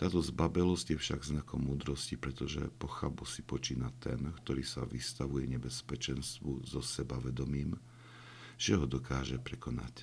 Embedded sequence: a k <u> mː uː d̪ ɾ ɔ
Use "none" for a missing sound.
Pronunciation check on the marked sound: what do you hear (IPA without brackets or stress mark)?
ɔ